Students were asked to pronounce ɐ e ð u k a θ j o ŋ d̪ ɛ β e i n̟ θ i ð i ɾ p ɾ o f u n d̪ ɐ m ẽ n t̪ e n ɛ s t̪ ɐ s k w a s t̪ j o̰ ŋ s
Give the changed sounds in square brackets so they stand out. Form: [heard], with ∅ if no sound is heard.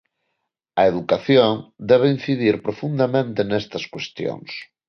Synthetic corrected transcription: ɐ e ð u k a θ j o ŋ d̪ ɛ β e i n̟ θ i ð i ɾ p ɾ o f u n d̪ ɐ m ẽ n t̪ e n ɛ s t̪ ɐ s k w [e] s t̪ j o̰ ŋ s